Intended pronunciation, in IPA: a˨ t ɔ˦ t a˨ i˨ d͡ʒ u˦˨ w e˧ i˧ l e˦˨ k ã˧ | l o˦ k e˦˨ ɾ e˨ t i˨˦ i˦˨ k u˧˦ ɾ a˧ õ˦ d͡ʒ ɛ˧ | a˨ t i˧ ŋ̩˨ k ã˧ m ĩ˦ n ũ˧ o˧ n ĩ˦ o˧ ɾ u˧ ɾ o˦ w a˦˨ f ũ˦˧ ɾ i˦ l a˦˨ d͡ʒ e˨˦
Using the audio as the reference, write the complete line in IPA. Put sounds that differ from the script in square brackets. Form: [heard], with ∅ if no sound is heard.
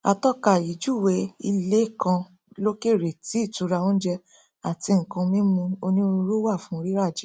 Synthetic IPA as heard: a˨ t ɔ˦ [k] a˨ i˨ d͡ʒ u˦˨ w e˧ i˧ l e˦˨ k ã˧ | l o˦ k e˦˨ ɾ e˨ t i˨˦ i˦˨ [t] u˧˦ ɾ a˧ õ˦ d͡ʒ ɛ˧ | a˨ t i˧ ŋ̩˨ k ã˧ m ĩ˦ [m] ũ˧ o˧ n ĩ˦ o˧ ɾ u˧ ɾ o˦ w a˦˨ f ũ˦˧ ɾ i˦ [ɾ] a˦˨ d͡ʒ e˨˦